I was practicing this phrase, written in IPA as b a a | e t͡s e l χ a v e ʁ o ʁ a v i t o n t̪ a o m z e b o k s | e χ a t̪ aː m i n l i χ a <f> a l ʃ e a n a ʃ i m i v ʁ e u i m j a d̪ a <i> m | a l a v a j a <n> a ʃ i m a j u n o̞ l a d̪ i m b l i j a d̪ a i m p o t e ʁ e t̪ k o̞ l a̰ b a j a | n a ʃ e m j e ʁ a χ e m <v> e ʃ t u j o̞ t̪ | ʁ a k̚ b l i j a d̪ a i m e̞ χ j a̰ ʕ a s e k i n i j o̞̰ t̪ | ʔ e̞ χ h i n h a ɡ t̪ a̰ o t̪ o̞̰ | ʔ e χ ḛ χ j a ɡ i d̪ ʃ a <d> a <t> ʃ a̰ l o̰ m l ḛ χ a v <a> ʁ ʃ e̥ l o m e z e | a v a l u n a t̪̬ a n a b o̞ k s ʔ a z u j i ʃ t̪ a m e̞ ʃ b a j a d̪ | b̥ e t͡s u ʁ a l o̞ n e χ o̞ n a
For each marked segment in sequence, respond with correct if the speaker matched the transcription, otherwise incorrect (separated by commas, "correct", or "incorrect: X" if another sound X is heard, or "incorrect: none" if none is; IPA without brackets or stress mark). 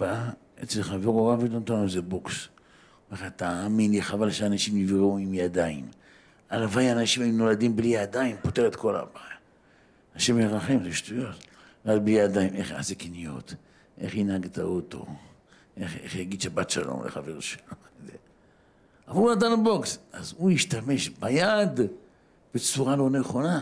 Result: incorrect: v, correct, correct, incorrect: z, incorrect: b, correct, incorrect: e